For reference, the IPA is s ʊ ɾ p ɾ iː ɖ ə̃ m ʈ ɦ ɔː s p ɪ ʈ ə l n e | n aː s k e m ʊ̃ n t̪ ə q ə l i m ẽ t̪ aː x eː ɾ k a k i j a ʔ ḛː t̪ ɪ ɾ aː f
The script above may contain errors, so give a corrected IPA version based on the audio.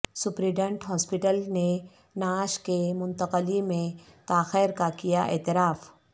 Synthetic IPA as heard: s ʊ p ɾ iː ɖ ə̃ ɳ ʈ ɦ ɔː s p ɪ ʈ ə l n e | n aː ʃ k e m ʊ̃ n t̪ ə q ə l i m ẽ t̪ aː x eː ɾ k a k i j a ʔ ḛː t̪ ɪ ɾ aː f